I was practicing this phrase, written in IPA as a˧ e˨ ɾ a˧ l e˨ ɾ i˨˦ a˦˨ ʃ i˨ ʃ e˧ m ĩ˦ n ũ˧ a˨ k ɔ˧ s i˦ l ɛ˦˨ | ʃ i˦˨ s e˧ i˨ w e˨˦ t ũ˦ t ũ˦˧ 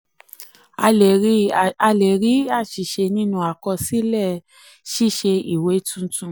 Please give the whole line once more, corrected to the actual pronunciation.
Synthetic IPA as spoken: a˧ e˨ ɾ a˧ l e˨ ɾ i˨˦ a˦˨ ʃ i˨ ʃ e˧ n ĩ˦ n ũ˧ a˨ k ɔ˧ s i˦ l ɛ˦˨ | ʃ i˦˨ ʃ e˧ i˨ w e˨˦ t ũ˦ t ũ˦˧